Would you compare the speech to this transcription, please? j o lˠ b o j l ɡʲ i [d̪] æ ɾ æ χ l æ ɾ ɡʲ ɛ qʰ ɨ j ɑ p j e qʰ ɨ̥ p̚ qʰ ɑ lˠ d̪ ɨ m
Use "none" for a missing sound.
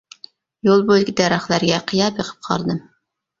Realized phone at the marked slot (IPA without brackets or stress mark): d̪